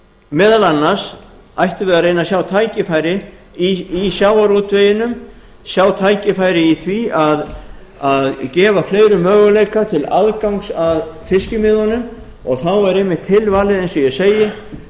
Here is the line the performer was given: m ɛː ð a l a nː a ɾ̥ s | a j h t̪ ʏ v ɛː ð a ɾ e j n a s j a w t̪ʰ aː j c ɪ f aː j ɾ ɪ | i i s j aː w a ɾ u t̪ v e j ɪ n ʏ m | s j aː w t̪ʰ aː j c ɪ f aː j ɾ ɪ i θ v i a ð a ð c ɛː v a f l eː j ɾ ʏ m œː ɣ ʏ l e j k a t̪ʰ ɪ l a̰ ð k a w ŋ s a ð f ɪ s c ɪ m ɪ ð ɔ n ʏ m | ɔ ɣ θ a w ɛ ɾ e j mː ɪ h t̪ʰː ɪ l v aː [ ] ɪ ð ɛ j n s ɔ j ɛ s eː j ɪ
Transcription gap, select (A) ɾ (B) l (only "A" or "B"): B